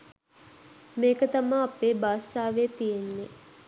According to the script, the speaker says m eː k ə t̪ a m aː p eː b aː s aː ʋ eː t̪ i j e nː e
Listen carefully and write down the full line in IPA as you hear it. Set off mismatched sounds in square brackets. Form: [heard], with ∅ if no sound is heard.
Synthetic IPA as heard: m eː k ə t̪ a m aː p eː b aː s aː ʋ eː t̪ i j e nː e